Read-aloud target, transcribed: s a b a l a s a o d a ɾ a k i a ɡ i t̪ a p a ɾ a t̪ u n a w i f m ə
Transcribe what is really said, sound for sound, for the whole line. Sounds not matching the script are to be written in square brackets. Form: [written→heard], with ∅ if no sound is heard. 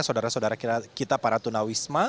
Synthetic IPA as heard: s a [b→d] a [l→ɾ] a s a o d a ɾ a k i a [ɡ→k] i t̪ a p a ɾ a t̪ u n a w i [f→s] m [ə→a]

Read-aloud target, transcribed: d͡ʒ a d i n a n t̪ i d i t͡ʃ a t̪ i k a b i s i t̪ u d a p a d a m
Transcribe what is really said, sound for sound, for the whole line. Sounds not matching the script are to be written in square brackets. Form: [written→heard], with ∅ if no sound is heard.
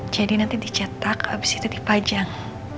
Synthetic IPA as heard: d͡ʒ a d i n a n t̪ i d i t͡ʃ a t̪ [i→a] k a b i s i t̪ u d [a→i] p a [d→d͡ʒ] a [m→ŋ]

